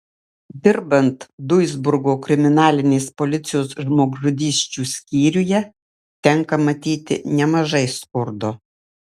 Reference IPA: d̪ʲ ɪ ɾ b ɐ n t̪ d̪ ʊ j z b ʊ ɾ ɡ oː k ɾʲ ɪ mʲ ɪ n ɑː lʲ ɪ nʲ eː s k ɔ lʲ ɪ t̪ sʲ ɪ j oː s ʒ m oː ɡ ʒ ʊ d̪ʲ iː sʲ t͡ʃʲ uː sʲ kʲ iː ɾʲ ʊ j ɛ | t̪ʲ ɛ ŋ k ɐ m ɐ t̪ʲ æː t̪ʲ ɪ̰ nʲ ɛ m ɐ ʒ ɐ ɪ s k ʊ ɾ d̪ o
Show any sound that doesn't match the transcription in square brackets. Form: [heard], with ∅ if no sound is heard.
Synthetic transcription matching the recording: d̪ʲ ɪ ɾ b ɐ n t̪ d̪ ʊ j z b ʊ ɾ ɡ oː k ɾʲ ɪ mʲ ɪ n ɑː lʲ ɪ nʲ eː s [p] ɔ lʲ ɪ t̪ sʲ ɪ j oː s ʒ m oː ɡ ʒ ʊ d̪ʲ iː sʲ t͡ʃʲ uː sʲ kʲ iː ɾʲ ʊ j ɛ | t̪ʲ ɛ ŋ k ɐ m ɐ t̪ʲ [iː] t̪ʲ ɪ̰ nʲ ɛ m ɐ ʒ ɐ ɪ s k ʊ ɾ d̪ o